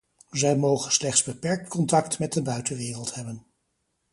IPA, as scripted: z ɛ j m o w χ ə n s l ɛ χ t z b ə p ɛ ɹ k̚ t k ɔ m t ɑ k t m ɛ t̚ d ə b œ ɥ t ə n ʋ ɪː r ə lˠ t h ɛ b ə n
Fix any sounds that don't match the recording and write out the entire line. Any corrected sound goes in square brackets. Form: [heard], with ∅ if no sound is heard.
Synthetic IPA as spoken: z ɛ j m o w χ ə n s l ɛ χ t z b ə p ɛ ɹ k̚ t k ɔ [n] t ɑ k t m ɛ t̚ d ə b œ ɥ t ə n ʋ ɪː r ə lˠ t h ɛ b ə n